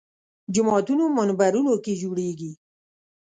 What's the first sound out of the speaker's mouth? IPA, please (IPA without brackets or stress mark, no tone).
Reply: d͡ʒ